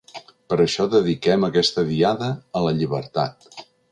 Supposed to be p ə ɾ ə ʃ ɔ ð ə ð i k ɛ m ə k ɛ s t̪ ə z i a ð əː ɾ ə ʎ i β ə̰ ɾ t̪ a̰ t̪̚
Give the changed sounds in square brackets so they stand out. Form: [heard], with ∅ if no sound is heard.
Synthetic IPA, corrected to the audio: p ə ɾ ə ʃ ɔ ð ə ð i k ɛ m ə k ɛ s t̪ ə [ð] i a ð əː [l] ə ʎ i β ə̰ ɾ t̪ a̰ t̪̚